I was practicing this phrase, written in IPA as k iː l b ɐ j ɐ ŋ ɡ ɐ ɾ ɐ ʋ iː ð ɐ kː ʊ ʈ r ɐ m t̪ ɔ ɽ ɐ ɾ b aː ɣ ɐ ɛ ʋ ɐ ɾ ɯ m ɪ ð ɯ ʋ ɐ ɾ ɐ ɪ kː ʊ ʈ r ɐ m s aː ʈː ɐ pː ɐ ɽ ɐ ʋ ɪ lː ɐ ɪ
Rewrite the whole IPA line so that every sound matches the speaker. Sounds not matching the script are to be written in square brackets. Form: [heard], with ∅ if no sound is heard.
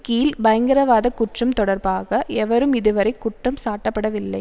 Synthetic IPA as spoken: k iː l b ɐ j ɐ ŋ ɡ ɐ ɾ ɐ ʋ [aː] ð ɐ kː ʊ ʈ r ɐ m t̪ ɔ ɽ ɐ ɾ b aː ɣ ɐ ɛ ʋ ɐ ɾ ɯ m ɪ ð ɯ ʋ ɐ ɾ ɐ ɪ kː ʊ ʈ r ɐ m s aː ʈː ɐ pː ɐ ɽ ɐ ʋ ɪ lː ɐ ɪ